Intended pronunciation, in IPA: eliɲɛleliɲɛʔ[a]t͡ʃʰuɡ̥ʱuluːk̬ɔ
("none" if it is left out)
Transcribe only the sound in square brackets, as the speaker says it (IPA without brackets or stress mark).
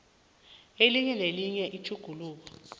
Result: i